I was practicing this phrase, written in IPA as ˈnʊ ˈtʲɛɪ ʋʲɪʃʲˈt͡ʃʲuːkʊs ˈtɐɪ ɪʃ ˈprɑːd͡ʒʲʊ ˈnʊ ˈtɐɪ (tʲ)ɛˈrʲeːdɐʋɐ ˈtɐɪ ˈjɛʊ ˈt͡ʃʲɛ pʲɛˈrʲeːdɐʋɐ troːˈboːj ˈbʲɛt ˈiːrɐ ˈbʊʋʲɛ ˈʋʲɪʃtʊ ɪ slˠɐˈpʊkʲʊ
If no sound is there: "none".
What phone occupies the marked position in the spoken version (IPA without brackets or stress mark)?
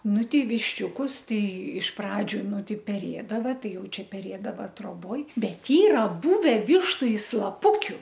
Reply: pʲ